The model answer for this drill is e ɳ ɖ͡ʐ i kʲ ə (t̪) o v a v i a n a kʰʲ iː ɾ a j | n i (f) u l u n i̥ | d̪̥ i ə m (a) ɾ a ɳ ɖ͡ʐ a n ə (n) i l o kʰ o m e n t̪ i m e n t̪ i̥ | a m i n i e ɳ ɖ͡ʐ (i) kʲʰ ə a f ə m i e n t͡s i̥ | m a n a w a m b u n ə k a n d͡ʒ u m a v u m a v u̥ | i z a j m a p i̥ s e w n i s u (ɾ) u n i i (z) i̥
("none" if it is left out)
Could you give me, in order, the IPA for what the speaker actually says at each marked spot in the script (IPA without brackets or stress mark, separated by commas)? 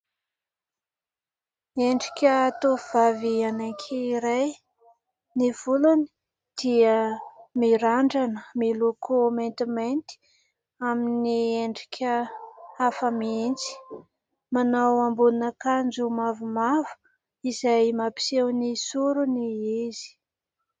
t̪, v, i, m, i, ɾ, z